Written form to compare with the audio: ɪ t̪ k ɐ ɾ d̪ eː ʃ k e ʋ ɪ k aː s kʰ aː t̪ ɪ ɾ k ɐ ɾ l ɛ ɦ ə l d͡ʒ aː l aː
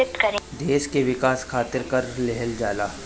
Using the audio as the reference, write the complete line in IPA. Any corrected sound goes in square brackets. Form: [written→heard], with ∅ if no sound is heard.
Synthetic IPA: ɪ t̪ k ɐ ɾ d̪ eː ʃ k e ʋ ɪ k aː s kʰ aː t̪ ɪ ɾ k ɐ ɾ l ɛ ɦ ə l d͡ʒ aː l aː